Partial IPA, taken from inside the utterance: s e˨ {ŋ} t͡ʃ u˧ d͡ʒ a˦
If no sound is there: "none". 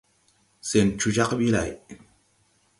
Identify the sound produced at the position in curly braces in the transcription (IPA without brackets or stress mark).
n